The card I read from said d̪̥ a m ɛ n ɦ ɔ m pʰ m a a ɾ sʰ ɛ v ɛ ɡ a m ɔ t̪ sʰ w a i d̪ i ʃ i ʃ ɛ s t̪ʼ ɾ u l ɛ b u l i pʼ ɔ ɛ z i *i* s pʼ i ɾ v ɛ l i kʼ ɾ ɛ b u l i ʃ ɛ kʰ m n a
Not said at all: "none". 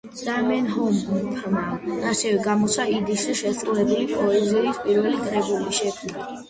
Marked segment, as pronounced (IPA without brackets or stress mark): i